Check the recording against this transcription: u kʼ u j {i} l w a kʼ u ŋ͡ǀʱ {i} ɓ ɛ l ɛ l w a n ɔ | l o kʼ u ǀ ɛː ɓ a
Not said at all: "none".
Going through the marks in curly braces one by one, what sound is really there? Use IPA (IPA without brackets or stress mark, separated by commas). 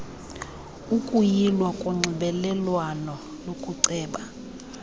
i, i